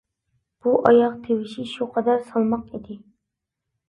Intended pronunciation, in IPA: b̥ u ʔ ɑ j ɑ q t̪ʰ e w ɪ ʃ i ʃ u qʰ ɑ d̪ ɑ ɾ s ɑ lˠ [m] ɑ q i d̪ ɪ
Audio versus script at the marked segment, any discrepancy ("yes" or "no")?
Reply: no